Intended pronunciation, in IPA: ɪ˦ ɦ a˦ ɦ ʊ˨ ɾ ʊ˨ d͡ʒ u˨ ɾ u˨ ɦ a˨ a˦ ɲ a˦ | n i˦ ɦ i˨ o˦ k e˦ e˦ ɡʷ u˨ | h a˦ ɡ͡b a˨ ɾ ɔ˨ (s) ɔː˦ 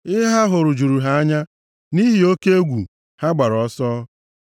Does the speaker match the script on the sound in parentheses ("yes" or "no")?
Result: yes